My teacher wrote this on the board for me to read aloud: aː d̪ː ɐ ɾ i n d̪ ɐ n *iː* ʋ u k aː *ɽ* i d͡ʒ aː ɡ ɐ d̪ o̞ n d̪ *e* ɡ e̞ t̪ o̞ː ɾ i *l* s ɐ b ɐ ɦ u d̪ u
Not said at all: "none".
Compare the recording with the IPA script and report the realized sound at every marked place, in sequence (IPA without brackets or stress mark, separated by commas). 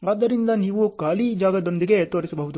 iː, l, i, none